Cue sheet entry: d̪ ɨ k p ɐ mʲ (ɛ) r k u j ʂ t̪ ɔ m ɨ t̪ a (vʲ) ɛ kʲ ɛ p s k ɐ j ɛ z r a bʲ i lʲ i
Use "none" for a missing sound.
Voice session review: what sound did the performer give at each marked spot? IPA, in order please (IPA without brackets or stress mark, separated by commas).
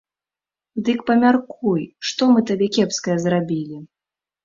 a, bʲ